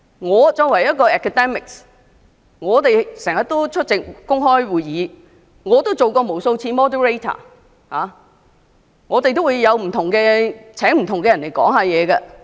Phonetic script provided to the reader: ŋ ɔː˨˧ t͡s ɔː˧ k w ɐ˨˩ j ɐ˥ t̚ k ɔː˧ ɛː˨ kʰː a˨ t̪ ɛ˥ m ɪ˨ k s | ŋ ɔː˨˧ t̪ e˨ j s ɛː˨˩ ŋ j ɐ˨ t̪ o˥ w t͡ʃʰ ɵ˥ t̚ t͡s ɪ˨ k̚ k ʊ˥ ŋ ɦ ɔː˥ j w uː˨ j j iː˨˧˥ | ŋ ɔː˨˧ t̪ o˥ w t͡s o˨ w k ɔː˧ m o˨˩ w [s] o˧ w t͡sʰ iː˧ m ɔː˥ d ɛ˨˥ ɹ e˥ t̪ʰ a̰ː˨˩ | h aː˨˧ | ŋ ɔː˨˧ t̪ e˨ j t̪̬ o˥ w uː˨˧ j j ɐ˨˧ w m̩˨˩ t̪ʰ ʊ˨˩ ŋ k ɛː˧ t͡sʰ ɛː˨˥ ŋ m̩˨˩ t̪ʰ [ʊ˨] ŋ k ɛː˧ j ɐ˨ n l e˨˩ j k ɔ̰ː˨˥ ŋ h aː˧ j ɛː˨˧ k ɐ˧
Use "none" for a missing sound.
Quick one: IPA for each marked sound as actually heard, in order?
s, ʊ˨

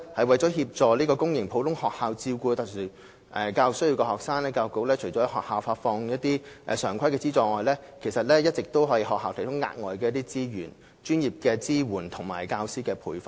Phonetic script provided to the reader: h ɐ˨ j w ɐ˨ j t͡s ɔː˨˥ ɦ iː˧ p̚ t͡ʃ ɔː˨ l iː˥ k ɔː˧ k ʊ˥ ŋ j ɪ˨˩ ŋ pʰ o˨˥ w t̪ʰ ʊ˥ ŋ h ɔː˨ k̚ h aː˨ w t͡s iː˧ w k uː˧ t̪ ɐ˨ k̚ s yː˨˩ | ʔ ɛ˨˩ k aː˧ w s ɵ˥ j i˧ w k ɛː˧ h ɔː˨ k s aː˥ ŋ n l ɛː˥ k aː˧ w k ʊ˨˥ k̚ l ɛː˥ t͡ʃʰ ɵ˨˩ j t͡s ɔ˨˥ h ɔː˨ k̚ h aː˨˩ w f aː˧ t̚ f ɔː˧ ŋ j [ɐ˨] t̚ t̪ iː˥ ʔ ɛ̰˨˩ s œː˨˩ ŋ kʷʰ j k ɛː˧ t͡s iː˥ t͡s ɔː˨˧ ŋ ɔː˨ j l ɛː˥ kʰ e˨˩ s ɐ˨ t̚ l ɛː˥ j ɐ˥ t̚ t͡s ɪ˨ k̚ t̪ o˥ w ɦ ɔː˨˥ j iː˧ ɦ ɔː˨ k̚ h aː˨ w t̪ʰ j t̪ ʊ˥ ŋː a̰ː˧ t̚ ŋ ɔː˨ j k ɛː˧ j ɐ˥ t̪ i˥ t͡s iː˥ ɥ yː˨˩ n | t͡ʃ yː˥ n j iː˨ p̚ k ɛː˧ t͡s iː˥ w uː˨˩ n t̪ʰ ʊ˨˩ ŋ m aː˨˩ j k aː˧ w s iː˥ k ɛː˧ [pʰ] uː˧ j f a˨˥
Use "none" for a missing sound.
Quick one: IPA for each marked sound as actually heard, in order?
ɐ˥, pʰ

